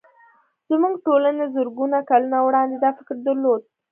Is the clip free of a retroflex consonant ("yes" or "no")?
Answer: no